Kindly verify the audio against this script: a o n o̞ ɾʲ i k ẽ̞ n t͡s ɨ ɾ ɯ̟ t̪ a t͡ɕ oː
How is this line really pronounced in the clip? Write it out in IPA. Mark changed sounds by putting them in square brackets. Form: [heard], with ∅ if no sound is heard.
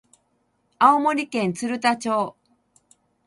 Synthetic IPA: a o [m] o̞ ɾʲ i k ẽ̞ n t͡s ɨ ɾ ɯ̟ t̪ a t͡ɕ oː